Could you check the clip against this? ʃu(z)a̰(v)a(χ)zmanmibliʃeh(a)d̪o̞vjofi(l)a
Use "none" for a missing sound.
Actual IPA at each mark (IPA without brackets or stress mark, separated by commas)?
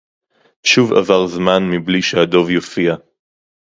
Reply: v, v, ʁ, a, none